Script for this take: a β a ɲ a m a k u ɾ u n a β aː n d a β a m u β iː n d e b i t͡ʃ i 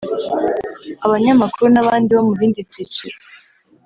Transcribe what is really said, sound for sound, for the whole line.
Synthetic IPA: a β a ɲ a m a k u ɾ u n a β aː n d i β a m u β iː n d i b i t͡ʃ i